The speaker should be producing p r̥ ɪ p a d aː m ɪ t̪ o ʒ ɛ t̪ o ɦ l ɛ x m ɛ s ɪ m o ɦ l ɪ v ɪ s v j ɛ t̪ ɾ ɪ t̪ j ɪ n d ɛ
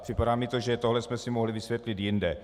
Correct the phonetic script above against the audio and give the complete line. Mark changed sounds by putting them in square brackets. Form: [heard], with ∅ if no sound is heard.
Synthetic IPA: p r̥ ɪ p a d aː m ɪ t̪ o ʒ ɛ t̪ o ɦ l ɛ [s] m ɛ s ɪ m o ɦ l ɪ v ɪ s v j ɛ t̪ [l] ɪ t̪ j ɪ n d ɛ